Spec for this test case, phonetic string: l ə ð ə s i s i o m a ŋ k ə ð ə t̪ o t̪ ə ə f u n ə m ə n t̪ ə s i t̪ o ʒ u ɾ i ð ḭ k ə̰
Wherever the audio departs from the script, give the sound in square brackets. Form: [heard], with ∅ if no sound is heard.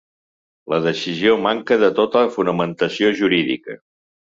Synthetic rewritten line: l ə ð ə s i [z] i o m a ŋ k ə ð ə t̪ o t̪ ə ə f u n ə m ə n t̪ ə s i [∅] o ʒ u ɾ i ð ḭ k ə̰